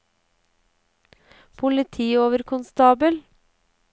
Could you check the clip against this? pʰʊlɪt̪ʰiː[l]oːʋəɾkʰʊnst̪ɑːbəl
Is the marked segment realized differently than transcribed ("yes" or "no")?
yes